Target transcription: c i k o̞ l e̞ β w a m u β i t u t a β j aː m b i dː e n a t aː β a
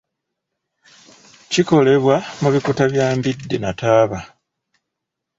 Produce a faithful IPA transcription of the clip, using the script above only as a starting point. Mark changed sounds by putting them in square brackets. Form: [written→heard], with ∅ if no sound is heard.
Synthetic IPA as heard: c i k o̞ l e̞ β w a m u β i [t→k] u t a β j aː m b i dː e n a t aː β a